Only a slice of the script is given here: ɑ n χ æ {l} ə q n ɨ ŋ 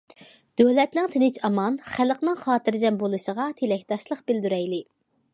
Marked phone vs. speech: correct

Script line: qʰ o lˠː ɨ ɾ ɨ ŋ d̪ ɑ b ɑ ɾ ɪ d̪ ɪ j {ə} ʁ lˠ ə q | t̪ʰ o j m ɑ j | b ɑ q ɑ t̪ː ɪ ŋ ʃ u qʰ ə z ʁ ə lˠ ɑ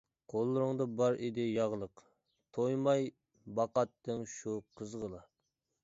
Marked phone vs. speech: incorrect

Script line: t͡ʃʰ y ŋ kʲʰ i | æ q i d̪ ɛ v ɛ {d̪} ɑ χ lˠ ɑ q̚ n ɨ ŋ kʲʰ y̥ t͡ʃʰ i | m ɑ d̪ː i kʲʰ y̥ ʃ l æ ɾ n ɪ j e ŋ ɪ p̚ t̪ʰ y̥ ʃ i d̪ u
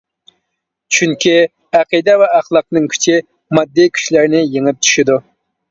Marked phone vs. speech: incorrect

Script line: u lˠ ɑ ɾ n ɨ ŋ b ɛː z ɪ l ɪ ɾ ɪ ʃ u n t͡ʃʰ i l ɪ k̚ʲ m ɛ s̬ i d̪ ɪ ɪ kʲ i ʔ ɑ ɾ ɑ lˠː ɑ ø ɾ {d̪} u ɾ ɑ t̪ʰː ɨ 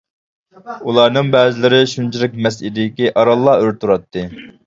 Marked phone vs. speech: incorrect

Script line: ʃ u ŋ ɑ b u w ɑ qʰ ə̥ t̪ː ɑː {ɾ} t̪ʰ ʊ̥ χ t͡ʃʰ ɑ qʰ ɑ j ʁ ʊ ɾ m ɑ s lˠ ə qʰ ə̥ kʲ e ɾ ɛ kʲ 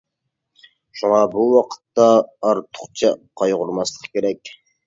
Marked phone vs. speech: correct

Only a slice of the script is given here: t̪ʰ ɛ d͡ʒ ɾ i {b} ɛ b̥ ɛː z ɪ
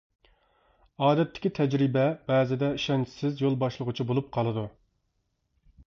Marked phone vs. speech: correct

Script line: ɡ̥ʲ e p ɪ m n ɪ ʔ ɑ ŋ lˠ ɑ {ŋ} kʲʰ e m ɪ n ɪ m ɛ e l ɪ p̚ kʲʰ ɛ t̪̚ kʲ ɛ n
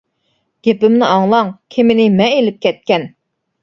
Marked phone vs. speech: correct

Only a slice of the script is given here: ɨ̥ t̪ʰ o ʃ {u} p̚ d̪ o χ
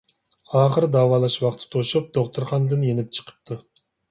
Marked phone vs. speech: correct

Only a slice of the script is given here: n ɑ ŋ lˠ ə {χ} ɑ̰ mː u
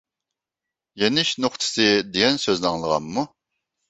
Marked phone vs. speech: incorrect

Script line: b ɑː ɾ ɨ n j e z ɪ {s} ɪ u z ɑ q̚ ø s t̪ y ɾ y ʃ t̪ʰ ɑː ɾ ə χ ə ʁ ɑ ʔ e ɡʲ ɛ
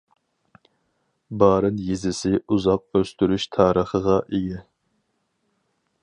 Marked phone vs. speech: correct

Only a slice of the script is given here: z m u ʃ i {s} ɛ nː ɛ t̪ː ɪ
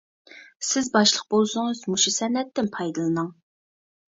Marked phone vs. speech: correct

